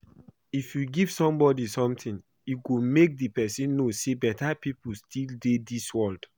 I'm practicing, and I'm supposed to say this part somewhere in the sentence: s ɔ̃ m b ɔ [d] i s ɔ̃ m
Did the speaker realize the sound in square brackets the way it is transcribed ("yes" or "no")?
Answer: yes